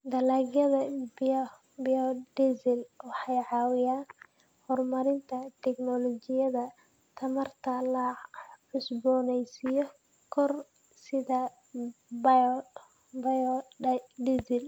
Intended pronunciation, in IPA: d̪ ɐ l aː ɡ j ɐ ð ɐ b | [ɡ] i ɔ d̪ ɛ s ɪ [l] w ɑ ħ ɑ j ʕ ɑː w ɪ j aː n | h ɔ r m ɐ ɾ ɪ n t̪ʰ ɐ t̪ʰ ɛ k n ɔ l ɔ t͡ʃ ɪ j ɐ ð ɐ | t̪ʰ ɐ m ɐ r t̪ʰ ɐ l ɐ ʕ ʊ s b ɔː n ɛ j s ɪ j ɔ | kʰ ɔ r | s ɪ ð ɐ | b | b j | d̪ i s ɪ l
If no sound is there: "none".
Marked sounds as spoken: b, l

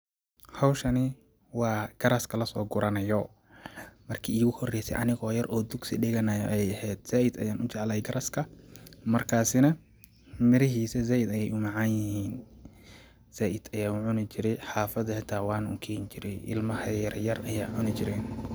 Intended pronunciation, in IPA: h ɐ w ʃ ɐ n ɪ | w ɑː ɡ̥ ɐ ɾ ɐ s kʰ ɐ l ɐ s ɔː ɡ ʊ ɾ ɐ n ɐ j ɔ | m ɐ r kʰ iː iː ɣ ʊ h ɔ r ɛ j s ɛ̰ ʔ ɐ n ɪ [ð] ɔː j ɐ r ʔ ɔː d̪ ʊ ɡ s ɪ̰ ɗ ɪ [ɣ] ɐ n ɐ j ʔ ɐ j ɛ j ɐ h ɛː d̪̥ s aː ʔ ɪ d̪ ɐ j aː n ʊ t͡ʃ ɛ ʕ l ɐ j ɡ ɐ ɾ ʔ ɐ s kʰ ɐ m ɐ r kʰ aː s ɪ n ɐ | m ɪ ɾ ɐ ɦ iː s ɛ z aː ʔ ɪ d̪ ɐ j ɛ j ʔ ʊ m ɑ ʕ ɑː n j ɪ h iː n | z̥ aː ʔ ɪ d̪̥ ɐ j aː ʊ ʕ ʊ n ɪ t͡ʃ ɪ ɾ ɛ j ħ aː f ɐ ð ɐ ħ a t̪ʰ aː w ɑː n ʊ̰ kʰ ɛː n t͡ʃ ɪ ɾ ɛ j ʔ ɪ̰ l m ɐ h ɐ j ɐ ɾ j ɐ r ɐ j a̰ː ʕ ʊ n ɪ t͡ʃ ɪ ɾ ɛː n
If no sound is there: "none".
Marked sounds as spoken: ɣ, ɣ

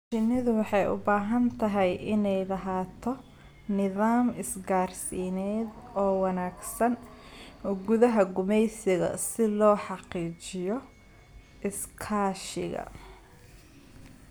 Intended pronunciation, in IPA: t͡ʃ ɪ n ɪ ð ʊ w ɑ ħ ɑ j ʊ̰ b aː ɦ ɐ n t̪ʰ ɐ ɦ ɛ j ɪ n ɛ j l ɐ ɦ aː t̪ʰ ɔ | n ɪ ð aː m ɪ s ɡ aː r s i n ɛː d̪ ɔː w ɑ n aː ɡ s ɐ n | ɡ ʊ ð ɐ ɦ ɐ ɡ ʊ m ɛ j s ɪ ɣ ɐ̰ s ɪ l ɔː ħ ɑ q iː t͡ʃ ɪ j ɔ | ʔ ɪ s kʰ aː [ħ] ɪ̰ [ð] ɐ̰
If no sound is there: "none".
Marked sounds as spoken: ʃ, ɣ

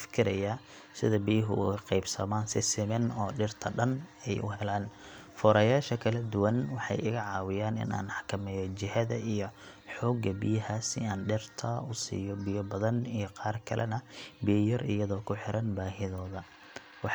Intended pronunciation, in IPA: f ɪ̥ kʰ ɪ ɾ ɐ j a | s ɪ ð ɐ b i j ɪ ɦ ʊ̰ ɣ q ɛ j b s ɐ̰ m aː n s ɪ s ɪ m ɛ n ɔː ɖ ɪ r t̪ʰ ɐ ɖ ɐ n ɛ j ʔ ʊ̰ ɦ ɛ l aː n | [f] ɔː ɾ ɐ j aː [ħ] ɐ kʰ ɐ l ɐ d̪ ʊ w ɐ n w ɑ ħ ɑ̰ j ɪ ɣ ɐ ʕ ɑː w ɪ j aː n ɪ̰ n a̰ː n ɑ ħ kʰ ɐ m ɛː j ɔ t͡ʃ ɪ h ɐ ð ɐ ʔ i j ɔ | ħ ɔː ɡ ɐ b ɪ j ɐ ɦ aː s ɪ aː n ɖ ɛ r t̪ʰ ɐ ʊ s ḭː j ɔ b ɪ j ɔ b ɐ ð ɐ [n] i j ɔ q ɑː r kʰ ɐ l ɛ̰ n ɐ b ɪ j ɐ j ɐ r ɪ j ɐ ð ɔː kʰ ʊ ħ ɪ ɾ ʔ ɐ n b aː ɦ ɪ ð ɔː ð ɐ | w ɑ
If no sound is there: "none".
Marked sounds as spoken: f, ʃ, n

